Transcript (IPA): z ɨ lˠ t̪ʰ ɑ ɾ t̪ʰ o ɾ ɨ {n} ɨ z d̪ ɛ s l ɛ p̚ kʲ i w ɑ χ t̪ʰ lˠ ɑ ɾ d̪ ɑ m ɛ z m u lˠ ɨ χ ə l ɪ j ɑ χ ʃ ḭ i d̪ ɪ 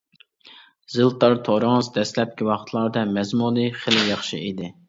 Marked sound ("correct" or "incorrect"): incorrect